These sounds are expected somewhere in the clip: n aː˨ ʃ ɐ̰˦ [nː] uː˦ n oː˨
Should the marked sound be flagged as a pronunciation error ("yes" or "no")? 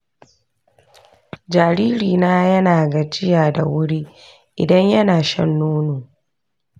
no